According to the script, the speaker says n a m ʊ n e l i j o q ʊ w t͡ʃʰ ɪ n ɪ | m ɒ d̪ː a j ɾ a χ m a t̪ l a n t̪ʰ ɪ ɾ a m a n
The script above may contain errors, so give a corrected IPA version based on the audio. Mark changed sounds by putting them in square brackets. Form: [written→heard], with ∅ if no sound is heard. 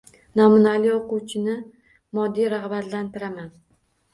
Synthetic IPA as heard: n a m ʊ n [e→a] l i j o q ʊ w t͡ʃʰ ɪ n ɪ | m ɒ d̪ː [a→i] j ɾ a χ [m→b] a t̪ l a n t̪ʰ ɪ ɾ a m a n